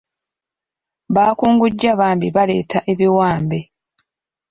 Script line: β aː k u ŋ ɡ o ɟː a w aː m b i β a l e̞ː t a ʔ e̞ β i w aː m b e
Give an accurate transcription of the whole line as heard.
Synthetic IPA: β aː k uː ŋ ɡ u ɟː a β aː m b i β a l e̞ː t a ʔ e̞ β i w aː m b e